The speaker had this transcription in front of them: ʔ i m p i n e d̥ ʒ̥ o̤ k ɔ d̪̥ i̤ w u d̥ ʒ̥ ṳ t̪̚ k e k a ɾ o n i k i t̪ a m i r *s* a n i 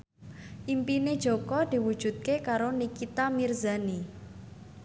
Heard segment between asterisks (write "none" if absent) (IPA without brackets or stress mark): z